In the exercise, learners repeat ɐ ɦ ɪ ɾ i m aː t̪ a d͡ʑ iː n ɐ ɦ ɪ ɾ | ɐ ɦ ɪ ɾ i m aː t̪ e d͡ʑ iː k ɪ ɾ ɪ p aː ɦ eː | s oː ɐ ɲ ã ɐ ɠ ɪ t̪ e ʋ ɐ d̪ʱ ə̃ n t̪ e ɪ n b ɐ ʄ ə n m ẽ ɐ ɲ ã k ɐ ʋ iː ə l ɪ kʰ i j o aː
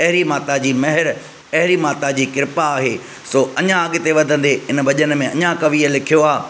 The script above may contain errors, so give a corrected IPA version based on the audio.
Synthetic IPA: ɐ ɦ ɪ ɾ i m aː t̪ a d͡ʑ iː m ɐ ɦ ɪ ɾ | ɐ ɦ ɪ ɾ i m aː t̪ a d͡ʑ iː k ɪ ɾ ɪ p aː ɦ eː | s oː ɐ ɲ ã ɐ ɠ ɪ t̪ e ʋ ɐ d̪ʱ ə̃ n d̪ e ɪ n b ɐ ʄ ə n m ẽ ɐ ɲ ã k ɐ ʋ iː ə l ɪ kʰ i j o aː